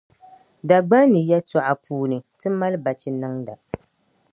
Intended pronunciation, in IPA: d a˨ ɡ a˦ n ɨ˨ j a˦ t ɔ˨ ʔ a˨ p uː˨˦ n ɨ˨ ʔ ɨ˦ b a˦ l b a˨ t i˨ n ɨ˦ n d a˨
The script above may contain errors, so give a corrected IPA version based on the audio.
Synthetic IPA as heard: d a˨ ɡ͡b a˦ n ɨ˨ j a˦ t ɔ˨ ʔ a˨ p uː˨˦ n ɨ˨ t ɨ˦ m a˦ l b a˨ t͡ʃ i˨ n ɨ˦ ŋ d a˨